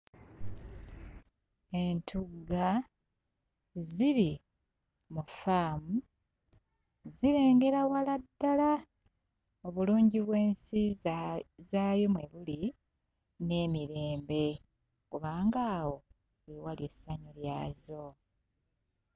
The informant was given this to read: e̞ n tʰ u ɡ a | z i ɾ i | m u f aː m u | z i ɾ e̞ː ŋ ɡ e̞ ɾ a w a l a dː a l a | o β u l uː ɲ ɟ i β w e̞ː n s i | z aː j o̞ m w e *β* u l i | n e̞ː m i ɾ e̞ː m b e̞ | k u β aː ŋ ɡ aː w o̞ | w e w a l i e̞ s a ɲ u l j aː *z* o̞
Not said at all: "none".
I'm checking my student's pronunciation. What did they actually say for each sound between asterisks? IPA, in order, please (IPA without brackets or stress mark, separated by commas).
β, z